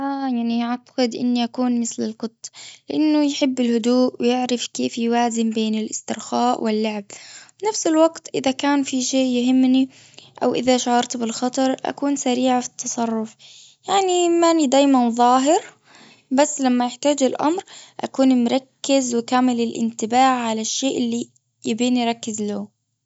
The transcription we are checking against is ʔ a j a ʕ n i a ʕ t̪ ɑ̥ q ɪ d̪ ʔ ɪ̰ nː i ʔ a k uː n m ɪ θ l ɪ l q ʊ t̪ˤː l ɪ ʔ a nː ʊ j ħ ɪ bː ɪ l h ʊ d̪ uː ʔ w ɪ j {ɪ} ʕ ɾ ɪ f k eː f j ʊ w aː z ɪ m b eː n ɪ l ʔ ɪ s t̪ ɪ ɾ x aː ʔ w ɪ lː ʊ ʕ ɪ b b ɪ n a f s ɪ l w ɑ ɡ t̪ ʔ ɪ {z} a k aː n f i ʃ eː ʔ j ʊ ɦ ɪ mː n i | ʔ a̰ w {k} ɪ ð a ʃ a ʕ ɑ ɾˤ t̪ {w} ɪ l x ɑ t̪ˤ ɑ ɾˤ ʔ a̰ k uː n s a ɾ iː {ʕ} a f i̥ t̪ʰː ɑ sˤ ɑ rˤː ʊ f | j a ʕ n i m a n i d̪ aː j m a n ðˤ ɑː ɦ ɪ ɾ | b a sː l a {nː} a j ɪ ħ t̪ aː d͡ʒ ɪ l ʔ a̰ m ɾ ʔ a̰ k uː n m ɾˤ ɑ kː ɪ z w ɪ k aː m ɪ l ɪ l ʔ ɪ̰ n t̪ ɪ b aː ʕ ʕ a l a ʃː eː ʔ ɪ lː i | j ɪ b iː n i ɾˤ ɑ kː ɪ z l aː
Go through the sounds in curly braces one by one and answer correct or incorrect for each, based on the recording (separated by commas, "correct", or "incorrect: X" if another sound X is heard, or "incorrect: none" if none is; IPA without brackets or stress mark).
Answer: correct, incorrect: ð, incorrect: ʔ, incorrect: b, correct, incorrect: mː